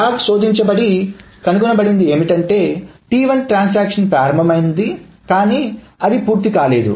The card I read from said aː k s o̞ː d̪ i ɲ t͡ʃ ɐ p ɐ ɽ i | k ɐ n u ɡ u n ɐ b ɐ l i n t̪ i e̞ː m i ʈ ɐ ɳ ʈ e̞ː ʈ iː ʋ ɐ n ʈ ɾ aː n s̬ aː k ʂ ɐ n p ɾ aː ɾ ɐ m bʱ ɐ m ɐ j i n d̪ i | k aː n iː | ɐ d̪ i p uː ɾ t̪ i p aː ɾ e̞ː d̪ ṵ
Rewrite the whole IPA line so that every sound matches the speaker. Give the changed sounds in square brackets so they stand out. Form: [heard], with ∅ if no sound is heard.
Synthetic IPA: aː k s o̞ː d̪ i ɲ t͡ʃ ɐ [b] ɐ ɽ i | k ɐ n u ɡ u n ɐ b ɐ [ɽ] i n [d̪] i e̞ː m i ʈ ɐ ɳ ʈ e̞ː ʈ iː ʋ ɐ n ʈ ɾ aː n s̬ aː k ʂ ɐ n p ɾ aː ɾ ɐ m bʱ ɐ m ɐ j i n d̪ i | k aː n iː | ɐ d̪ i p uː ɾ t̪ i [k] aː [l] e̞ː d̪ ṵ